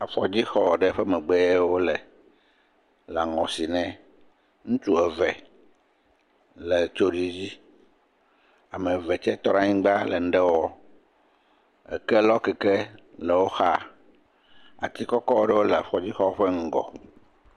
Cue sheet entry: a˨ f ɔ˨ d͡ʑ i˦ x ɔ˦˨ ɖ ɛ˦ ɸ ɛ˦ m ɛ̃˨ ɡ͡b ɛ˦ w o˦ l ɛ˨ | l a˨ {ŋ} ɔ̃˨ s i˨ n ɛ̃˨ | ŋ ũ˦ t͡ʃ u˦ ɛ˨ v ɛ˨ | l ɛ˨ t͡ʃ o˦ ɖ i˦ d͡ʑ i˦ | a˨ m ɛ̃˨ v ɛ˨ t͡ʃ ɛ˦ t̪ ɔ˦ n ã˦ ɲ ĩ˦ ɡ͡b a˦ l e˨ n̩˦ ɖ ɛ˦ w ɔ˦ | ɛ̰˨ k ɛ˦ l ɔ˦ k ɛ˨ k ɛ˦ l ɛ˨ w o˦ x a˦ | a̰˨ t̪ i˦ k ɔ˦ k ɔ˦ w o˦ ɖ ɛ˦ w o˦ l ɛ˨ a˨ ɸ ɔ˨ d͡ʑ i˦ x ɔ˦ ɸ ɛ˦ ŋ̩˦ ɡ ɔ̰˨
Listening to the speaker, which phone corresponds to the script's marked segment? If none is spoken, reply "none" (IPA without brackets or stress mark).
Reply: ŋ